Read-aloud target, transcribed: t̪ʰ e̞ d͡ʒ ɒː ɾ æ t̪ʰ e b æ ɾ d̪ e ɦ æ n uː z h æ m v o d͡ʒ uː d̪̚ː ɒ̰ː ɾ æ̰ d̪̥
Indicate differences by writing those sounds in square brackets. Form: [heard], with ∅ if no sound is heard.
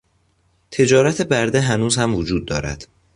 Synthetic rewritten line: t̪ʰ e̞ d͡ʒ ɒː ɾ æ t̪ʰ e b æ ɾ d̪ e ɦ æ n uː z h æ m v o d͡ʒ uː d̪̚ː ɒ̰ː ɾ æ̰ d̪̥